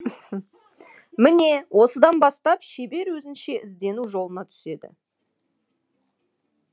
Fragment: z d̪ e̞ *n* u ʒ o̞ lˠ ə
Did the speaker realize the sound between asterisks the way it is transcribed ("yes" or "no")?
yes